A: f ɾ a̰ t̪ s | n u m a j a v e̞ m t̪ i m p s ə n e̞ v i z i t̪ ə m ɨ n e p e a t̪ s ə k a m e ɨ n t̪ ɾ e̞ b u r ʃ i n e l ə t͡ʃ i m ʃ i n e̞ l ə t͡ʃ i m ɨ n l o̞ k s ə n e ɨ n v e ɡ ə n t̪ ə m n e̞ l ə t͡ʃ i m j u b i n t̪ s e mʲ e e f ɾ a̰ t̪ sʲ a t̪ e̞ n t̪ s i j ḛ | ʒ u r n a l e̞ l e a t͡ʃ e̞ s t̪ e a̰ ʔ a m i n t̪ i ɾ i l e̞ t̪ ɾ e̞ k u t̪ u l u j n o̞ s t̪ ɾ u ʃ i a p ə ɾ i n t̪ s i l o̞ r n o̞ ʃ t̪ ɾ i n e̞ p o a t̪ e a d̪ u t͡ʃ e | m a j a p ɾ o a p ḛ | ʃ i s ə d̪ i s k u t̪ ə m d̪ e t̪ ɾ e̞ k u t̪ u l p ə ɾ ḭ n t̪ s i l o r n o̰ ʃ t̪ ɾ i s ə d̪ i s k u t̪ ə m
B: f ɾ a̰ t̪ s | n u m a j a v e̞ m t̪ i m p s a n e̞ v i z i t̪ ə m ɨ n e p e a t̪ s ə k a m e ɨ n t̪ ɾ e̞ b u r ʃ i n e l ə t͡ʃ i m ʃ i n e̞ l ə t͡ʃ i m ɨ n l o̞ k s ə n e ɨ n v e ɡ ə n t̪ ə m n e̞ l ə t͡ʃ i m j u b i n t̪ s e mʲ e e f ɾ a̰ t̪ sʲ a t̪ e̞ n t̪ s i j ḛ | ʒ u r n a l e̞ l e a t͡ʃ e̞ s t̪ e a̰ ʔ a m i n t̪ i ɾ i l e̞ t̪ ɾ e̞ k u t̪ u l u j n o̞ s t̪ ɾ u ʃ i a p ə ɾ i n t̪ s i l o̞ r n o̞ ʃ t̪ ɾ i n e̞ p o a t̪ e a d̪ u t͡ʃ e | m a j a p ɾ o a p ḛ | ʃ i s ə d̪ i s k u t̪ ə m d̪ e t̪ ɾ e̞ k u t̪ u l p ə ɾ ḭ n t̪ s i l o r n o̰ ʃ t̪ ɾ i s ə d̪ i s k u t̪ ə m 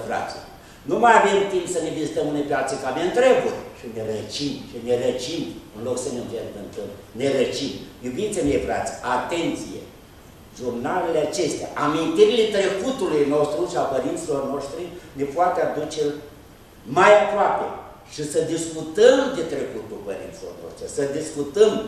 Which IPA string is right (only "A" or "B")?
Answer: A